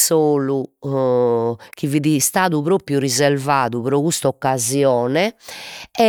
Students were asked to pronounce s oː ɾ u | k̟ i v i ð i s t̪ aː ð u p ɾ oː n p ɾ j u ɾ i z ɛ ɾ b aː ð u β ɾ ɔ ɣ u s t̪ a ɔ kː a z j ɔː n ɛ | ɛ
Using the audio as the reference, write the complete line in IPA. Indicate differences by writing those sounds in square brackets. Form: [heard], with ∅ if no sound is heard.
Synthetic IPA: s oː [l] u | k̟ i v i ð i s t̪ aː ð u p ɾ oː [∅] p ɾ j u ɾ i z ɛ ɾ [v] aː ð u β ɾ ɔ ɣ u s t̪ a ɔ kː a z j ɔː n ɛ | ɛ